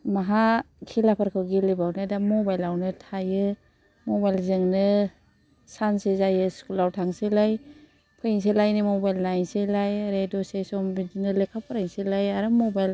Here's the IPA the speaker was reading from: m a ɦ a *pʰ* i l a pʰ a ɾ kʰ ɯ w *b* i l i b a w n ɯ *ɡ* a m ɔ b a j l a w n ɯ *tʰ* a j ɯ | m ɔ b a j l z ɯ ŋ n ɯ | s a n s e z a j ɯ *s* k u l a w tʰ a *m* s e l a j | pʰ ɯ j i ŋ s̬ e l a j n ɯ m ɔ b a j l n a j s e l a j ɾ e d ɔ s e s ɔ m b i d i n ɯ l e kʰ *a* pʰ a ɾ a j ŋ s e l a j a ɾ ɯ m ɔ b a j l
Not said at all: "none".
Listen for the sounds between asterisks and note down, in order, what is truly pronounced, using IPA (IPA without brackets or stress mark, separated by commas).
kʰ, ɡ, d, tʰ, s, ŋ, a